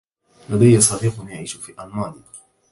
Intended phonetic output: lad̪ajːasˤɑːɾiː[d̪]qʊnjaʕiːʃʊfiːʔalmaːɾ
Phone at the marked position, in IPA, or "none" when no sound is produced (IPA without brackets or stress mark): none